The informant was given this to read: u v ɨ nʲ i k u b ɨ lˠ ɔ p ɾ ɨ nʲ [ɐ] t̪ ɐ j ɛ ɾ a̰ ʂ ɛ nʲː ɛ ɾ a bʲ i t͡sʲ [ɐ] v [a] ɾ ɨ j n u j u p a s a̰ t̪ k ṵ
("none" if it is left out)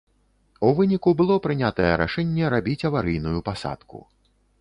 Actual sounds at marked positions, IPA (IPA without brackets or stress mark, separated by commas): a, ɐ, a